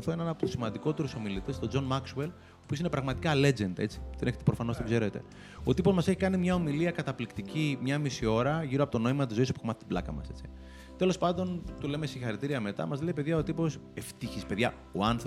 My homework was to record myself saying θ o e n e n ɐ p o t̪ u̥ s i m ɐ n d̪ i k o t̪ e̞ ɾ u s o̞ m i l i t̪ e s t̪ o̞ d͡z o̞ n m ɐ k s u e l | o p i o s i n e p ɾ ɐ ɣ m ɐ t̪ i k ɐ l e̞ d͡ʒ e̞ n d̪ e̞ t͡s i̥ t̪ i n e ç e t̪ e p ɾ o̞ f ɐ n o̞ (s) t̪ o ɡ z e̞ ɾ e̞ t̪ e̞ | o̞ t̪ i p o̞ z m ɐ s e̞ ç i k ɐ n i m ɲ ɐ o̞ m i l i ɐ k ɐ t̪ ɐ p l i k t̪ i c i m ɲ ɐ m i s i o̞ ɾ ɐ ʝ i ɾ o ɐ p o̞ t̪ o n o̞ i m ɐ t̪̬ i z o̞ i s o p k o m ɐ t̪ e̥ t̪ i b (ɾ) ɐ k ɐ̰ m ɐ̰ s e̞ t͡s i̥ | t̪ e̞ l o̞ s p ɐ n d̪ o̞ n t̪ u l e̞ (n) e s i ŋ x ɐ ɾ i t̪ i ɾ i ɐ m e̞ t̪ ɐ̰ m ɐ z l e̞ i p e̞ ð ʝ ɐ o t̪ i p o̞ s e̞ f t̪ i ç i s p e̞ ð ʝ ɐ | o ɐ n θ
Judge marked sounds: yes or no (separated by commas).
yes, no, no